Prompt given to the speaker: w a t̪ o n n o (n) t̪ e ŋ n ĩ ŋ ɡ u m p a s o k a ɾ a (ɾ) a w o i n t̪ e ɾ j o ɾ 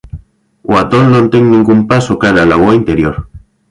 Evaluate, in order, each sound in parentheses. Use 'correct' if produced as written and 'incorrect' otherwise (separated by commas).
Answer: correct, incorrect